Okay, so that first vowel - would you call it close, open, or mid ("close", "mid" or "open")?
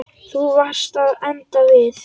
close